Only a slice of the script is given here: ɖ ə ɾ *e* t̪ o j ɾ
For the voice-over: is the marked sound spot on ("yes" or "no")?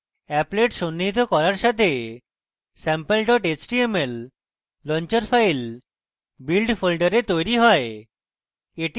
yes